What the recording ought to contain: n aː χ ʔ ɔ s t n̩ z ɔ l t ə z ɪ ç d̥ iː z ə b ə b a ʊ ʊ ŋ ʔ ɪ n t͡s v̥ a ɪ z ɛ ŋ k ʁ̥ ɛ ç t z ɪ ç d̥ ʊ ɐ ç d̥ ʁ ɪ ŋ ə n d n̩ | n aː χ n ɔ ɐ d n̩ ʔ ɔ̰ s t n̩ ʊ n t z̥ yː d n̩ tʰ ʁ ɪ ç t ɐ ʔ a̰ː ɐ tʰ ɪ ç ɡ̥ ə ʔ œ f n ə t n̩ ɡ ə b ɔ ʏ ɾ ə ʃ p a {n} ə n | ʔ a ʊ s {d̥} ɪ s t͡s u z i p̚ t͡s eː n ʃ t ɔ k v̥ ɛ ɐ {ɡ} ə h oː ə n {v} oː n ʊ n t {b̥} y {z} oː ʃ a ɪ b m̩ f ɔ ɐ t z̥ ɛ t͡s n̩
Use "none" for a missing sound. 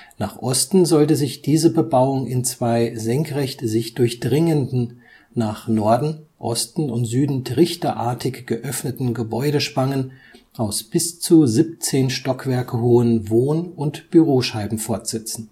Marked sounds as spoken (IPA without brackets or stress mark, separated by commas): ŋ, b̥, k, v, b̥, ʁ